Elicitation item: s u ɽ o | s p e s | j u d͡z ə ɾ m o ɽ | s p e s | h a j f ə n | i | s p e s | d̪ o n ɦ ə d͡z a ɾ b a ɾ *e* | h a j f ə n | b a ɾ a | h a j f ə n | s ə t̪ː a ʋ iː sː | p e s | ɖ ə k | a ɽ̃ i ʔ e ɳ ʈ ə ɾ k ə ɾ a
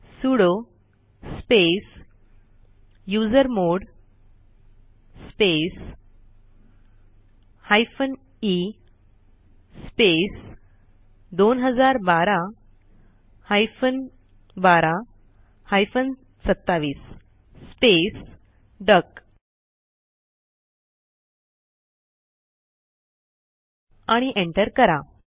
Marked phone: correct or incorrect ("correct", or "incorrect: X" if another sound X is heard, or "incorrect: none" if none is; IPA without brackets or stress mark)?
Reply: incorrect: a